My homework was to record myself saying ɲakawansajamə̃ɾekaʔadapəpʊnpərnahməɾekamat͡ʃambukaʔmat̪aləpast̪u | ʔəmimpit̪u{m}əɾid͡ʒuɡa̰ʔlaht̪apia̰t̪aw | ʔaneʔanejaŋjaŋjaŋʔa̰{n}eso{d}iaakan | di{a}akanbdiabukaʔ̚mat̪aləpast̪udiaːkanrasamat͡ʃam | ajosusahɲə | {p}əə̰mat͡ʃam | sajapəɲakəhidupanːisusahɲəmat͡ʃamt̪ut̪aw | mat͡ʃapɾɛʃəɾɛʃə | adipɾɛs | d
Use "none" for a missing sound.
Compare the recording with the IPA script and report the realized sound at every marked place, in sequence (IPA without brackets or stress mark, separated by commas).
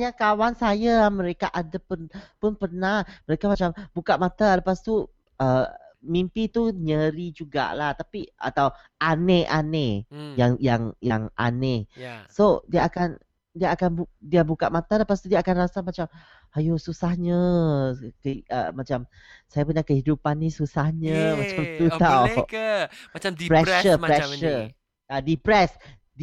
ɲ, n, d, a, k